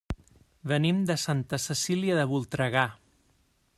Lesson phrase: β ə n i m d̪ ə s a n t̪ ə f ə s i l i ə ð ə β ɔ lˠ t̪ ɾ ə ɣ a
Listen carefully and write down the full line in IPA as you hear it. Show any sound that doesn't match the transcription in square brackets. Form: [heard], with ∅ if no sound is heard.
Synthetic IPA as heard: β ə n i m d̪ ə s a n t̪ ə [s] ə s i l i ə ð ə β [u] lˠ t̪ ɾ ə ɣ a